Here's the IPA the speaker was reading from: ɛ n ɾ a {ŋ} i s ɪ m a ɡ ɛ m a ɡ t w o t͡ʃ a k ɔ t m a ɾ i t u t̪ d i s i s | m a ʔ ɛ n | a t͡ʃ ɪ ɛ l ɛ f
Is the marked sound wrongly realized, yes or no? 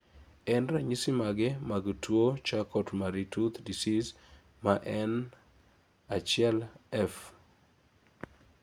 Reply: yes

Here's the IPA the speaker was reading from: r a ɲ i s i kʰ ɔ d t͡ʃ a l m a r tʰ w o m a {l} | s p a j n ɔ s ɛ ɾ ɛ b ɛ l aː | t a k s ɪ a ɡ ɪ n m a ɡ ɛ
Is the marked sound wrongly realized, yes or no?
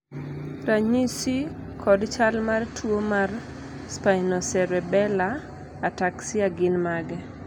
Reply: yes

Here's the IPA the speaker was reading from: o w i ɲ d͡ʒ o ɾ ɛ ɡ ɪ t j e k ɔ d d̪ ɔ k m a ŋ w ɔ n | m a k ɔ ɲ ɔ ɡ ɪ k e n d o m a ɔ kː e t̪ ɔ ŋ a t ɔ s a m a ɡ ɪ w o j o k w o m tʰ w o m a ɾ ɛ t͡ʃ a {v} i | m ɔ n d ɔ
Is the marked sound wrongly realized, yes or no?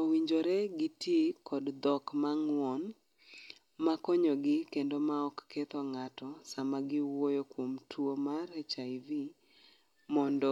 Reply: no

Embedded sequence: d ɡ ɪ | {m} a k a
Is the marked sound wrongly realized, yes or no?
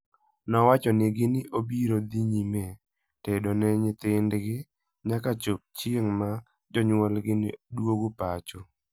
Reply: yes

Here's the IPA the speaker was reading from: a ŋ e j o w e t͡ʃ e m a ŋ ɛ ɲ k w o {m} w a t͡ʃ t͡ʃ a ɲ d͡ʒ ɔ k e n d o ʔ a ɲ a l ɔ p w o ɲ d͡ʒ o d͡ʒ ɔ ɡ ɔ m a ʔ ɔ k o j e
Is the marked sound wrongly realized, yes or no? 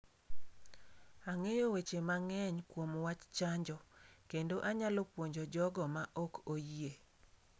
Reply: no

